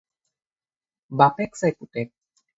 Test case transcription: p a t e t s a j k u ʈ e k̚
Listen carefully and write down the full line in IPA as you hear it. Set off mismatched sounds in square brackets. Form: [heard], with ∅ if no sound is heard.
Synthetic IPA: [b] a [p] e [k] s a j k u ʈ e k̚